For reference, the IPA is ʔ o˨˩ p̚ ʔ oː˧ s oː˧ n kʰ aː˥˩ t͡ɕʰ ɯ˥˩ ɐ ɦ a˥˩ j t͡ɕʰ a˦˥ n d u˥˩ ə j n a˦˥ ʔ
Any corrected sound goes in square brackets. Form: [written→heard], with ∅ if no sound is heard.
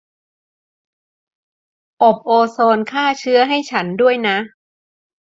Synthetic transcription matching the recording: ʔ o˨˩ p̚ ʔ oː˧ s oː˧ n kʰ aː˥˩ t͡ɕʰ [ɯ˥˩→ɯ˦˥] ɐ ɦ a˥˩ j t͡ɕʰ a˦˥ n d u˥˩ ə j n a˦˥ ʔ